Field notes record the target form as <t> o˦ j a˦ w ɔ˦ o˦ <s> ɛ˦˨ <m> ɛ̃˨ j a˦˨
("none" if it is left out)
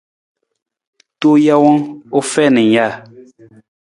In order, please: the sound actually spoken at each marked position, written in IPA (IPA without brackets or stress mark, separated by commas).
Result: t, f, n